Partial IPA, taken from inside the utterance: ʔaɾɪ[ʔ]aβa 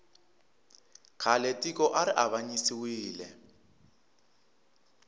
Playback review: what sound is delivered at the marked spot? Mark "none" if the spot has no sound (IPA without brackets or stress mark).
ʔ